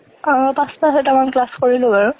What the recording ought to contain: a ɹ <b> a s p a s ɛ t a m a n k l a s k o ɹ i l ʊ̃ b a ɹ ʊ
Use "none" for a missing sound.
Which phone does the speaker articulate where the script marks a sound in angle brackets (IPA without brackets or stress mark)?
p